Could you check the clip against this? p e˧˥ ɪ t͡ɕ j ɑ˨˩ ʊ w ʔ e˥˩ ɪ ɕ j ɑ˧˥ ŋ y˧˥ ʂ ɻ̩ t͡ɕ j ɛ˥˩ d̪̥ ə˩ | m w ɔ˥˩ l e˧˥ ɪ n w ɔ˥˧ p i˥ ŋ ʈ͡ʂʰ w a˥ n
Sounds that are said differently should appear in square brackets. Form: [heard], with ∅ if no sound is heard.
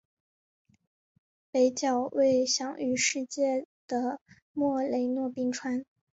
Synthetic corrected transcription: p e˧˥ ɪ t͡ɕ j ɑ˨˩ ʊ w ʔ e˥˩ ɪ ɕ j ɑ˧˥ ŋ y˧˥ ʂ ɻ̩ t͡ɕ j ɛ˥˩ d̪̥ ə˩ | m w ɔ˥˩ l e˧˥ ɪ n w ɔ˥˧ p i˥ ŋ ʈ͡ʂʰ w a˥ n